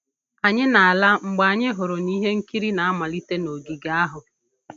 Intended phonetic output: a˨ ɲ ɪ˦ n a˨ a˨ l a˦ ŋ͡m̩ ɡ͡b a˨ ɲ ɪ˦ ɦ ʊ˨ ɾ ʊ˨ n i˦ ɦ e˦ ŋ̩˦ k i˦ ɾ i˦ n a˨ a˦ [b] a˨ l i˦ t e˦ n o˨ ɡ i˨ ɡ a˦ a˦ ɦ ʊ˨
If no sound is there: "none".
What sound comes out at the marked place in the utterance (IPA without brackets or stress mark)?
m